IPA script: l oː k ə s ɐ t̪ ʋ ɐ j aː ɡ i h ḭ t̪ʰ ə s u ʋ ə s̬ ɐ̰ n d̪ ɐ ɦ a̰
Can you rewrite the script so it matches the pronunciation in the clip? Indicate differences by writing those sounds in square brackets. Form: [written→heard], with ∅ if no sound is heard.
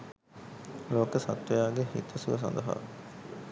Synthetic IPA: l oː k ə s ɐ t̪ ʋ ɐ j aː ɡ [i→e] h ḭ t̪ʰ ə s u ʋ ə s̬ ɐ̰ n d̪ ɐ ɦ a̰